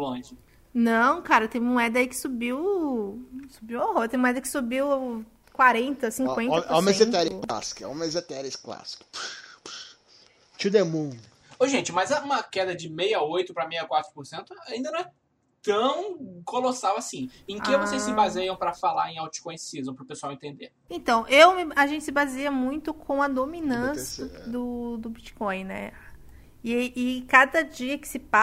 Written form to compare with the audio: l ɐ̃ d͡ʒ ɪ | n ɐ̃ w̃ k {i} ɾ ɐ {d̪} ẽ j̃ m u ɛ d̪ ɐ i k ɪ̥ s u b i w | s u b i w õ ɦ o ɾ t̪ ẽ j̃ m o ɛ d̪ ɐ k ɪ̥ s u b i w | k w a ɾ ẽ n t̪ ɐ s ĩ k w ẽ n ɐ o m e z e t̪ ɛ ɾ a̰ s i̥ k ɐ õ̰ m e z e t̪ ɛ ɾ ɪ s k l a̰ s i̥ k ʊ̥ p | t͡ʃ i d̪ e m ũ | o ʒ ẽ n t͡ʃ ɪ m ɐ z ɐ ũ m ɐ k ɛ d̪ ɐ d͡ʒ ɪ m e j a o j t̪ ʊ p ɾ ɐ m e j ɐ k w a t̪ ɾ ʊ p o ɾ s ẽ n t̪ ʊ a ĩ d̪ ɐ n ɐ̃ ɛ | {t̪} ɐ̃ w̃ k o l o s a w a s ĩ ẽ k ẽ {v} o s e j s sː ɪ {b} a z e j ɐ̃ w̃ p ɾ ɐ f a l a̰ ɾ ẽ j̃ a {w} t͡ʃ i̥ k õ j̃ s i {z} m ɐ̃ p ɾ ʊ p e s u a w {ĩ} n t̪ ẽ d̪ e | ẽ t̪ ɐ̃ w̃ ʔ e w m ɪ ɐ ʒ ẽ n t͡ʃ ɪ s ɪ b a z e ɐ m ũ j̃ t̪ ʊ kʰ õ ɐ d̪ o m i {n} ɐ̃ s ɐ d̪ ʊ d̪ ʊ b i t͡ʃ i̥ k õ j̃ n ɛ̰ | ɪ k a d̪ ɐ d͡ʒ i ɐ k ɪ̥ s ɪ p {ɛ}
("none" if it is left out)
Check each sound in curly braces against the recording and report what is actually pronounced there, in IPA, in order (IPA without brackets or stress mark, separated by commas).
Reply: a, t̪, t̪, v, b, w, z, ẽ, n, a